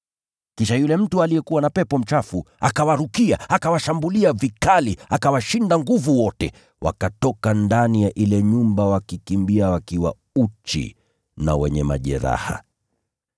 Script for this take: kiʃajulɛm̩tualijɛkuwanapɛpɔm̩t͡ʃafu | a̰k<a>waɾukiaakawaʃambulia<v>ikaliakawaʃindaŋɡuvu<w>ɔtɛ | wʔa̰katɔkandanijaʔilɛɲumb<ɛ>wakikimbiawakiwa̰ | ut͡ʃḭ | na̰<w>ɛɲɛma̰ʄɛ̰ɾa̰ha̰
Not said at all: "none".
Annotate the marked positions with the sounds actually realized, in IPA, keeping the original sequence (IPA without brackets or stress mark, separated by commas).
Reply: a, v, w, a, w